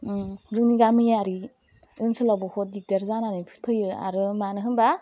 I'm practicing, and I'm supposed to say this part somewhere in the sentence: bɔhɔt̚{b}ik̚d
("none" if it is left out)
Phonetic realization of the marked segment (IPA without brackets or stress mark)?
d